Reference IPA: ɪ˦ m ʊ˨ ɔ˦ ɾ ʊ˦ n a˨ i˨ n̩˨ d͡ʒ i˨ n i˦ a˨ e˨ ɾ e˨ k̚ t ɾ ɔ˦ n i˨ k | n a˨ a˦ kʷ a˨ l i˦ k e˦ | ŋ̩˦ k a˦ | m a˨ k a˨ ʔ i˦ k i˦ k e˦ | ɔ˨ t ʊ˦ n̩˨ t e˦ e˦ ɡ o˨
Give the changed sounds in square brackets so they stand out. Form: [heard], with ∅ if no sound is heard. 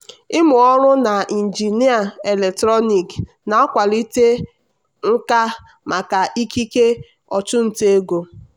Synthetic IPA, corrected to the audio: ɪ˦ m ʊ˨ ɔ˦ ɾ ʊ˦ n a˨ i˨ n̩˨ d͡ʒ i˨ n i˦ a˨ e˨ [l] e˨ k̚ t ɾ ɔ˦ n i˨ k | n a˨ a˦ kʷ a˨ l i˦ [t] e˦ | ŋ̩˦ k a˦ | m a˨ k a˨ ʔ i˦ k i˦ k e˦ | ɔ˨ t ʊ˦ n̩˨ t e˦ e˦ ɡ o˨